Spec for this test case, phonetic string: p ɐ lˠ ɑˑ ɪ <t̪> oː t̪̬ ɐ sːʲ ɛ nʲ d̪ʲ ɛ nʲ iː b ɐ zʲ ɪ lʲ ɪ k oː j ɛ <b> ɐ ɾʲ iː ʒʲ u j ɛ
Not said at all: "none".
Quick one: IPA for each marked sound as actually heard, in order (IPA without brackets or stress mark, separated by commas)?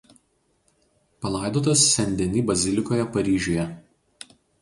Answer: d̪, p